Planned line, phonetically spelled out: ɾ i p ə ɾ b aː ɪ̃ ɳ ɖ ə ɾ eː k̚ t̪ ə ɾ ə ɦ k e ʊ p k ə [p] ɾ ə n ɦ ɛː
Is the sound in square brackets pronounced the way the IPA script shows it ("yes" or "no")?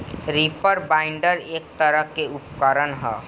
no